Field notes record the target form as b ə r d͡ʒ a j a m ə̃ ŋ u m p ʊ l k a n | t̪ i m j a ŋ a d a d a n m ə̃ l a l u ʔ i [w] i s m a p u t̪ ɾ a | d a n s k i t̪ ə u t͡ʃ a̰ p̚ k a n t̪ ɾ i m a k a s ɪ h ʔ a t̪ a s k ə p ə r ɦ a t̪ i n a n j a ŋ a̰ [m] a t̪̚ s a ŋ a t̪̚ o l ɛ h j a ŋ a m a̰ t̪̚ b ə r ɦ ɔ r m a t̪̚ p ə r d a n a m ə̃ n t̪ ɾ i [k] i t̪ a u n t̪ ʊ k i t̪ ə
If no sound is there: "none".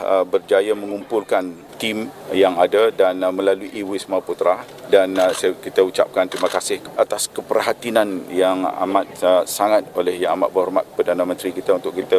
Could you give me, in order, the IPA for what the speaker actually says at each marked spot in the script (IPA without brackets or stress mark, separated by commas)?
w, m, k